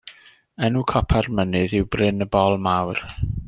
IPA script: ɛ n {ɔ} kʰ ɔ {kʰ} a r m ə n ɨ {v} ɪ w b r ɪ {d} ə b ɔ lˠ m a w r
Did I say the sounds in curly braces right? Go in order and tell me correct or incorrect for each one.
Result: incorrect, incorrect, incorrect, incorrect

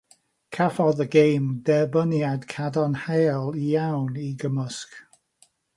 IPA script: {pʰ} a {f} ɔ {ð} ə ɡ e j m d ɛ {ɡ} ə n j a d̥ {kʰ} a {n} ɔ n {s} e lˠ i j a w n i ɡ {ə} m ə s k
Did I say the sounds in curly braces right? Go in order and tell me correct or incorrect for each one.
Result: incorrect, correct, correct, incorrect, correct, incorrect, incorrect, correct

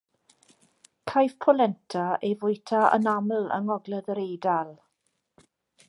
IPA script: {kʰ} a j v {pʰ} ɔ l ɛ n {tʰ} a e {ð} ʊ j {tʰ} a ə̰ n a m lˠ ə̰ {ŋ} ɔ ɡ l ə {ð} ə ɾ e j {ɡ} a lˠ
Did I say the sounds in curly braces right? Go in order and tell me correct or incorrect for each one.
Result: correct, correct, correct, incorrect, correct, correct, correct, incorrect

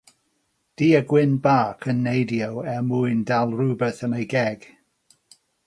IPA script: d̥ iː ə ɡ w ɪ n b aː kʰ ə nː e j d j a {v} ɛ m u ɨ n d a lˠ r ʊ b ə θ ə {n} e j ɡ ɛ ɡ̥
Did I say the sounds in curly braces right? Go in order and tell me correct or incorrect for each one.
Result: incorrect, correct

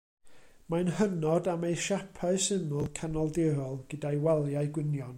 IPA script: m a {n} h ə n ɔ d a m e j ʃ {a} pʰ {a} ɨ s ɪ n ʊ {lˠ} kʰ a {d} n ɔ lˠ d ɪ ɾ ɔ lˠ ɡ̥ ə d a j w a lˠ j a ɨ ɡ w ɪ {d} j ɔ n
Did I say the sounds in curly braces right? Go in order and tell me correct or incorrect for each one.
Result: correct, correct, correct, correct, incorrect, incorrect

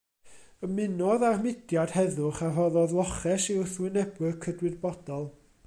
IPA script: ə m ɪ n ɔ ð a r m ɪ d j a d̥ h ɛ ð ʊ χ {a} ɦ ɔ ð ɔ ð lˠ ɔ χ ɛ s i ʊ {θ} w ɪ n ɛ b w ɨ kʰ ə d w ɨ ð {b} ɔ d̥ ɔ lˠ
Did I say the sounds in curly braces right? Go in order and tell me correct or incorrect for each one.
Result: correct, correct, correct

